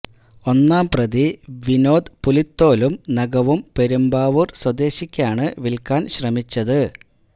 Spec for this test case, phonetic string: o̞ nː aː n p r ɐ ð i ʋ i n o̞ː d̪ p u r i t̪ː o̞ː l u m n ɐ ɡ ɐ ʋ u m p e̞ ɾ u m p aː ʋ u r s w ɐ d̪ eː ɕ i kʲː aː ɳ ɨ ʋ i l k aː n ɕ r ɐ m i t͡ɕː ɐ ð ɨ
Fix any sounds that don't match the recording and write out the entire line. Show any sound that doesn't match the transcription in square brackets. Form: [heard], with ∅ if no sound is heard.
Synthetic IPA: o̞ nː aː [m] p r ɐ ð i ʋ i n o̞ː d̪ p u [l] i t̪ː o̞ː l u m n ɐ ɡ ɐ ʋ u m p e̞ ɾ u m [b] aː ʋ u r s w ɐ d̪ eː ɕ i kʲː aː ɳ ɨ ʋ i l k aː n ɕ r ɐ m i t͡ɕː ɐ ð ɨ